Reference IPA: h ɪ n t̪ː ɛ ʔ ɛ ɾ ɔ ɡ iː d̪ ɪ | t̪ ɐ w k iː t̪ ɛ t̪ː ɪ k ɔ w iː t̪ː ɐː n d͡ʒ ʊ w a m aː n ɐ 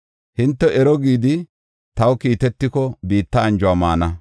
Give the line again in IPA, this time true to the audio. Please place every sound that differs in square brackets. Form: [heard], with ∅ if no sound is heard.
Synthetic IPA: h ɪ n t̪ː ɛ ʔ ɛ ɾ ɔ ɡ iː d̪ ɪ | t̪ ɐ w k iː t̪ ɛ t̪ː ɪ k ɔ [b] iː t̪ː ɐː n d͡ʒ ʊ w a m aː n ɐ